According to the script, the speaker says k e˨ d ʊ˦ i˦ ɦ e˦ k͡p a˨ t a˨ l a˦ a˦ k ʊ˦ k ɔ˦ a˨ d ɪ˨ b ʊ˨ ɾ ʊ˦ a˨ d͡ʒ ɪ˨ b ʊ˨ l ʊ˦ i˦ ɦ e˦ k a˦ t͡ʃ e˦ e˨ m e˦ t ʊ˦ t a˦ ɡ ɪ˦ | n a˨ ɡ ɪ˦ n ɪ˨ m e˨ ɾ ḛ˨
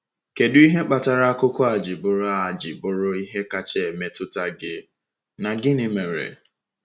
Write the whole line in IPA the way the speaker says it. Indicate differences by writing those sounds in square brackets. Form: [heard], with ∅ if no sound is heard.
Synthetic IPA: k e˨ d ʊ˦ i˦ ɦ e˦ k͡p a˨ t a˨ [ɾ] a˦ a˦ k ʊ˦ k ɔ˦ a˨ [d͡ʒ] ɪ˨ b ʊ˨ ɾ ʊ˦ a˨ d͡ʒ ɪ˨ b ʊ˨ [ɾ] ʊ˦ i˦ ɦ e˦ k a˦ t͡ʃ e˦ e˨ m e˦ t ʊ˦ t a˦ ɡ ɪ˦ | n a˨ ɡ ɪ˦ n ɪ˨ m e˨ ɾ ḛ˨